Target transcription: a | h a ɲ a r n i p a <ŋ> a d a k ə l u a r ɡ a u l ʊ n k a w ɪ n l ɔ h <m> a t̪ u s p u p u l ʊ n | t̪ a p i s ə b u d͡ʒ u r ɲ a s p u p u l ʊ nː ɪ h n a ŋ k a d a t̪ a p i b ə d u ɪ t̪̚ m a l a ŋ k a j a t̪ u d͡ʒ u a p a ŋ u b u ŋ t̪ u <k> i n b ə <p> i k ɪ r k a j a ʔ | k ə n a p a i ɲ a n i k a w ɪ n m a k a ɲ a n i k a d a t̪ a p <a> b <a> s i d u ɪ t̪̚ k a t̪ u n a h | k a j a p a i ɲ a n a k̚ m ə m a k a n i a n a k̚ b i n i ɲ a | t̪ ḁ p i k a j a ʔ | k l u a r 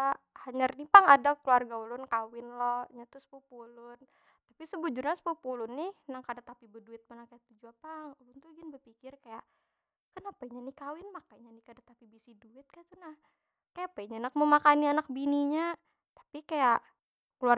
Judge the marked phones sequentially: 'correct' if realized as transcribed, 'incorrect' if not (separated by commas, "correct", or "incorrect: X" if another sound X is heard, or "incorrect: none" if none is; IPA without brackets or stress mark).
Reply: correct, incorrect: ɲ, incorrect: ɡ, correct, incorrect: i, incorrect: i